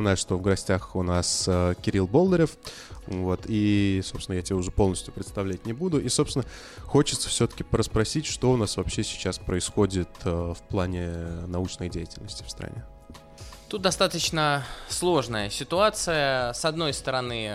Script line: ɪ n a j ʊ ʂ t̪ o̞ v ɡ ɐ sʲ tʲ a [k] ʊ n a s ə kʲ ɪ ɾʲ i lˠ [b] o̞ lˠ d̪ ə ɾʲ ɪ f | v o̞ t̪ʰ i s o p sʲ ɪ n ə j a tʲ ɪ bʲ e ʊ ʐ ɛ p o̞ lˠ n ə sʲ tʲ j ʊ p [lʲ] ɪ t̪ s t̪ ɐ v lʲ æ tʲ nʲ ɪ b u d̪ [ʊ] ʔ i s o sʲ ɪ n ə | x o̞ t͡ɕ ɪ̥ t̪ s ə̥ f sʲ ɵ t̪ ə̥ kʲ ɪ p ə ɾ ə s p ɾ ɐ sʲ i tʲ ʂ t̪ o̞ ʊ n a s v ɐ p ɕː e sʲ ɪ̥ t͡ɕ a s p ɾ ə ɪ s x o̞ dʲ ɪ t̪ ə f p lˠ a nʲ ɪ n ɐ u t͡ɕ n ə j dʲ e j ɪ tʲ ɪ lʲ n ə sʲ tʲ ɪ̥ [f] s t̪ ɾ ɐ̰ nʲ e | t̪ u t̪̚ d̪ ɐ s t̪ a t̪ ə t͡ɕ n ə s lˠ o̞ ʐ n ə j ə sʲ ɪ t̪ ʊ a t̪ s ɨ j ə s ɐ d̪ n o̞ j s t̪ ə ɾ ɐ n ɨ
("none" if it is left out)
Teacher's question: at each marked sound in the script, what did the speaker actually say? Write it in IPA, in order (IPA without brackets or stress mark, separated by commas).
x, b, ɾʲ, ʊ, f